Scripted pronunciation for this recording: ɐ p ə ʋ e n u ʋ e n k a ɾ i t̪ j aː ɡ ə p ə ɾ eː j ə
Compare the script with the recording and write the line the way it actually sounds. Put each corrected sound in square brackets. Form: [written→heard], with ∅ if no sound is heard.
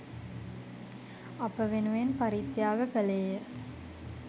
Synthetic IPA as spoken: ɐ p ə ʋ e n u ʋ e n [k→p] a ɾ i t̪ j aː ɡ ə [p→k] ə [ɾ→l] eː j ə